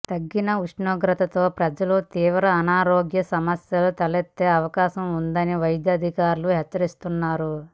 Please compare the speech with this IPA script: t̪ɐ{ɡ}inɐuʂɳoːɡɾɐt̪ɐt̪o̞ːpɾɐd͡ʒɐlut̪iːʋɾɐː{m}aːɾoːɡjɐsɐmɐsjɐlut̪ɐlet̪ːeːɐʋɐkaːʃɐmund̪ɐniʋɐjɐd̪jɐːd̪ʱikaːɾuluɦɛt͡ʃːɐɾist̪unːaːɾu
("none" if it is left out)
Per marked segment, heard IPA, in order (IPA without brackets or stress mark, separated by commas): ɡː, n